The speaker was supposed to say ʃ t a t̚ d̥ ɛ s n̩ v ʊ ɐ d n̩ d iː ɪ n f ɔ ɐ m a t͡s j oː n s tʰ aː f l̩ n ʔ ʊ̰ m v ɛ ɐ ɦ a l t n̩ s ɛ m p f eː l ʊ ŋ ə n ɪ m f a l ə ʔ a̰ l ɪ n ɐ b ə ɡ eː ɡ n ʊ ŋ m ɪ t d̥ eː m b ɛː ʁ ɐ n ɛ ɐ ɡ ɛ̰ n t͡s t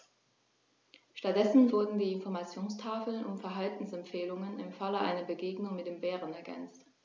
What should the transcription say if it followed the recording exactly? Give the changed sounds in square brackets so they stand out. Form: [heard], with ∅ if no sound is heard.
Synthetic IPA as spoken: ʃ t a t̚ d̥ ɛ s n̩ v ʊ ɐ d n̩ d iː ɪ n f ɔ ɐ m a t͡s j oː n s tʰ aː f l̩ n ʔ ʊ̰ m [f] ɛ ɐ ɦ a l t n̩ s ɛ m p f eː l ʊ ŋ ə n ɪ m f a l ə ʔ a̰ [∅] ɪ n ɐ b ə ɡ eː ɡ n ʊ ŋ m ɪ t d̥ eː m b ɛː ʁ [ə] n ɛ ɐ ɡ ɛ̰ n t͡s t

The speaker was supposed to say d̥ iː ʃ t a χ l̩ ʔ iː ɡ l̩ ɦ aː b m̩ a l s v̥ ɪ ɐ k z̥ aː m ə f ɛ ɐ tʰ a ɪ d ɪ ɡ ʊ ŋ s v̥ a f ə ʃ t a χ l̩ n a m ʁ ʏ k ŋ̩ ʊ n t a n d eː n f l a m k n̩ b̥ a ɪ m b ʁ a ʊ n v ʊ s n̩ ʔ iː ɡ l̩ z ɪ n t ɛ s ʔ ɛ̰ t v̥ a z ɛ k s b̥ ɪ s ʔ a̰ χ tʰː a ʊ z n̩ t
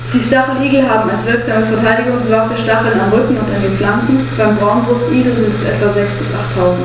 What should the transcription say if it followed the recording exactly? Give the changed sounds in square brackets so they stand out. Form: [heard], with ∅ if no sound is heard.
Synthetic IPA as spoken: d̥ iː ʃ t a χ l̩ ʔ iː ɡ l̩ ɦ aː b m̩ a l s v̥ ɪ ɐ k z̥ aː m ə f ɛ ɐ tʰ a ɪ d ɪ ɡ ʊ ŋ s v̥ a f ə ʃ t a χ l̩ n a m ʁ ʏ k ŋ̩ ʊ n t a n d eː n f l a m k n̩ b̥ a ɪ m b ʁ a ʊ n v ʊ s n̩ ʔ iː ɡ l̩ z ɪ n t ɛ s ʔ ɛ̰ t v̥ a z ɛ k s b̥ ɪ s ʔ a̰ χ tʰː a ʊ z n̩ t

